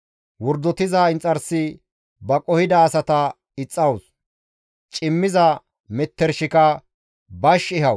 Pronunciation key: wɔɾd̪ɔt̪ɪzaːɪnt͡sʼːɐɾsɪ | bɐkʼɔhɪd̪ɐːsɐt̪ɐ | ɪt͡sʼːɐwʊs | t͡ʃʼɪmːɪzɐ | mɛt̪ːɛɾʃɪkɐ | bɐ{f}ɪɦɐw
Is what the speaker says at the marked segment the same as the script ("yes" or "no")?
no